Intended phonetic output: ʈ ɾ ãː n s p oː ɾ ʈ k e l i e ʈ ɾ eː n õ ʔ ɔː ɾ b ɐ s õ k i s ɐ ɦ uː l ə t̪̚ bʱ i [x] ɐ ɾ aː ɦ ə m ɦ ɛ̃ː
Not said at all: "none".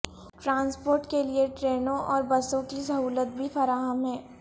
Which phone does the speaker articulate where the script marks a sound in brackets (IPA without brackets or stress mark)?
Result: f